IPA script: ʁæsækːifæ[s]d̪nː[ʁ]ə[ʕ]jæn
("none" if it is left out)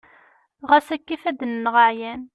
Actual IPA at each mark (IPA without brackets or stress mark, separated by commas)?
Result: none, ʁ, ʕ